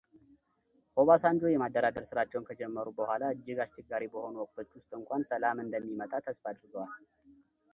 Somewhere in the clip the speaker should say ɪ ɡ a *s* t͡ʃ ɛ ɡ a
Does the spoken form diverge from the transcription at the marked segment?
no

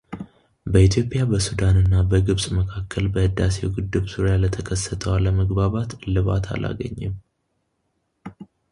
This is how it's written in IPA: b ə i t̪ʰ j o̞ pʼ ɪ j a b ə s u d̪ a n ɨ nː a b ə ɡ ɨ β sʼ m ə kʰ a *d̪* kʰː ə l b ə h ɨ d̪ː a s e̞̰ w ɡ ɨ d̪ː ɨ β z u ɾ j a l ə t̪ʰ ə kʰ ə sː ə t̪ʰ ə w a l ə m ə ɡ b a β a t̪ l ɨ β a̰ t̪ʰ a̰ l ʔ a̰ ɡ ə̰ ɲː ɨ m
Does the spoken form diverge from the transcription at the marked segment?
yes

